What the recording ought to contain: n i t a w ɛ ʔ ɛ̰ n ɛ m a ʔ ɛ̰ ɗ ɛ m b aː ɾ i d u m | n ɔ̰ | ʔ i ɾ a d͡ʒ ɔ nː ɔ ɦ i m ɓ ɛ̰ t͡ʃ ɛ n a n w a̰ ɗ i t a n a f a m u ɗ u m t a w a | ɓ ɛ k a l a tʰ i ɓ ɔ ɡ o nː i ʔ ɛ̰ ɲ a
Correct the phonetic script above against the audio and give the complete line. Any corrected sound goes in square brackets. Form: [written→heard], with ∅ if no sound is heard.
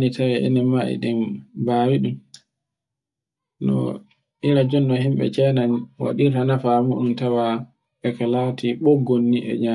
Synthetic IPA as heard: n i t a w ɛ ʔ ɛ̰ n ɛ m a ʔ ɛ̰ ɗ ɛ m b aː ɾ i [d→ɗ] u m | n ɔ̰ | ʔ i ɾ a d͡ʒ ɔ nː ɔ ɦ i m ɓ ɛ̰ t͡ʃ ɛ n a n w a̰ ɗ i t a n a f a m u ɗ u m t a w a | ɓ ɛ k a l a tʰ i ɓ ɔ ɡ o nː i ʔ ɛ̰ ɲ a